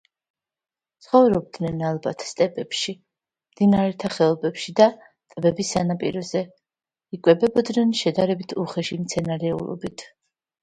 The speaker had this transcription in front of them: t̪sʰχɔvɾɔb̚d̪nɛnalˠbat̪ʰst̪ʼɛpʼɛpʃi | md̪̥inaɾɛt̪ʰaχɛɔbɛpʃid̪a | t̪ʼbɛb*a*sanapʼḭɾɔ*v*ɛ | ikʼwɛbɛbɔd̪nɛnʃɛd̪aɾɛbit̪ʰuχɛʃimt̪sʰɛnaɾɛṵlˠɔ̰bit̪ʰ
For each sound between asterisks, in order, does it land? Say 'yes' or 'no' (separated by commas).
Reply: no, no